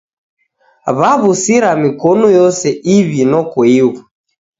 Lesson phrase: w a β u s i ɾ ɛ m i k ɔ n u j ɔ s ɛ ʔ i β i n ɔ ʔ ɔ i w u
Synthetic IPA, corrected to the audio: β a β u s i ɾ a m i k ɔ n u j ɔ s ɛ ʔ i β i n ɔ k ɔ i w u